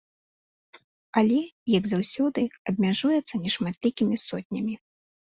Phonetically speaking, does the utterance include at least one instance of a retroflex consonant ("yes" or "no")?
yes